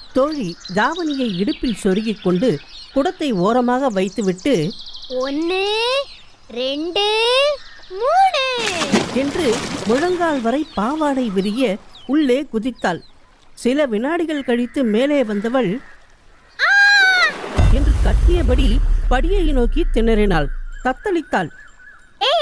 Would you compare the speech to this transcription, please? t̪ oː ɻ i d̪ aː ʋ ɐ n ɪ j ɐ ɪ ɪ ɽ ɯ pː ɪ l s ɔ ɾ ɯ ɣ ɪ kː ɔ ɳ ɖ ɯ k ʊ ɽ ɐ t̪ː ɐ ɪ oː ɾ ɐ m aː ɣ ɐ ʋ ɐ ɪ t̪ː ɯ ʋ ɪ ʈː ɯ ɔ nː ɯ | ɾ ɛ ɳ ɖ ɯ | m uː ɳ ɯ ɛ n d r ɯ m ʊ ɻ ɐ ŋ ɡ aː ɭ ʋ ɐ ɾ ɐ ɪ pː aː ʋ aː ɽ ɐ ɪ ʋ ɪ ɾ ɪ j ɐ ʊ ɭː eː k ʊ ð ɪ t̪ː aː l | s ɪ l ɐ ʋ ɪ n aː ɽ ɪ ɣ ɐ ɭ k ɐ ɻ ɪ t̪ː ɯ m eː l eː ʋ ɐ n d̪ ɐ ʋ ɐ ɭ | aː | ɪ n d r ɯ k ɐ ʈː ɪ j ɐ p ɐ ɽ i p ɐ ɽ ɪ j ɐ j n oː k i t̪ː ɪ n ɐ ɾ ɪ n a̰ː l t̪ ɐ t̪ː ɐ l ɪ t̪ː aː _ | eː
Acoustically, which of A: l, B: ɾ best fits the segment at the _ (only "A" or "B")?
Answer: A